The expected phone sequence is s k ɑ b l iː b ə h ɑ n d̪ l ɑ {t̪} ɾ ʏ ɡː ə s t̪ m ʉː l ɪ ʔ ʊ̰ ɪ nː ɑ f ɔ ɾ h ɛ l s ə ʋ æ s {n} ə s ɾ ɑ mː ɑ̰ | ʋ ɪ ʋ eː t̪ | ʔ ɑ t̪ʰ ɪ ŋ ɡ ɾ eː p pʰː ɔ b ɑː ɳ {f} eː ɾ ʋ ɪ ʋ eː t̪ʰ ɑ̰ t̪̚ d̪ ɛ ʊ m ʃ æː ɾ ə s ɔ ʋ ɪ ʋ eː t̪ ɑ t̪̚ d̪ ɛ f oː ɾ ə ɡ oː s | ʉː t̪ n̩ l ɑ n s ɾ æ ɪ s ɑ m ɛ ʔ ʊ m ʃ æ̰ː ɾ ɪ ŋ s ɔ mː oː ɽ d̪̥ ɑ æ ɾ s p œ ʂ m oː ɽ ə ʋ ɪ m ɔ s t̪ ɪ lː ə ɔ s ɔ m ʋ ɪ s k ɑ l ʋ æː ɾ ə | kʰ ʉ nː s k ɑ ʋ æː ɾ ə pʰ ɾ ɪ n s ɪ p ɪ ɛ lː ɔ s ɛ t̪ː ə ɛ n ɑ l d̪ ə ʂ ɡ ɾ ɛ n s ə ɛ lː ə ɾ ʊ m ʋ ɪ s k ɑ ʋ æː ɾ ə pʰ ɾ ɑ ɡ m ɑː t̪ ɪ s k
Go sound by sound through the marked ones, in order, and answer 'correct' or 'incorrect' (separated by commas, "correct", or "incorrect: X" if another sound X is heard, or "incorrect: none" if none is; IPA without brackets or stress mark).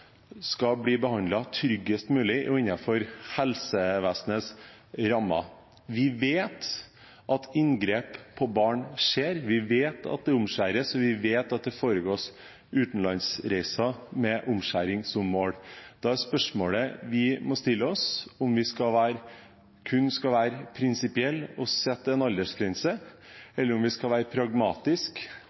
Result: incorrect: t̪ʰ, correct, incorrect: ʂ